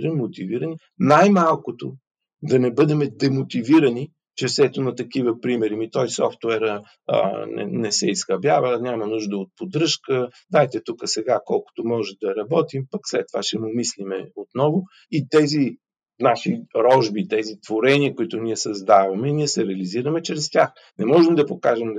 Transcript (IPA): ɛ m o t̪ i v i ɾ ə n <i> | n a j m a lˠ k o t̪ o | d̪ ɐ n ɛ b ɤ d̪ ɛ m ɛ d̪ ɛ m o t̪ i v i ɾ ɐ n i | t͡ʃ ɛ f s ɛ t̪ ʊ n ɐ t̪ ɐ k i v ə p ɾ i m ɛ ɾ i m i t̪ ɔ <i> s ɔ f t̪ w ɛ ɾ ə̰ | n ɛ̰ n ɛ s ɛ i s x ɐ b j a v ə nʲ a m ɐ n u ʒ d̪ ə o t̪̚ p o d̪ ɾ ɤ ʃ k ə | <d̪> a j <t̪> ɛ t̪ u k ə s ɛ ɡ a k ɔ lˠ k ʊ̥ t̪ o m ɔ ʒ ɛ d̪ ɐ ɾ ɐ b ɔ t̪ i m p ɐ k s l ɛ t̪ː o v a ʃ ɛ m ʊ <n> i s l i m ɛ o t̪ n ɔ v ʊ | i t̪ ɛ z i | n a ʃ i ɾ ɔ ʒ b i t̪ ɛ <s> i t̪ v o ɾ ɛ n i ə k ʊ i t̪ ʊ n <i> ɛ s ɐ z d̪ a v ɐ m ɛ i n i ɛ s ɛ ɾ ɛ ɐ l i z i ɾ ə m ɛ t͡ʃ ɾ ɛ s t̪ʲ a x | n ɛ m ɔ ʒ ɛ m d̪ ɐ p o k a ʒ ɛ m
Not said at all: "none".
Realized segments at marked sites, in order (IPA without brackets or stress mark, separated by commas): i, j, d̪, t̪, m, z, i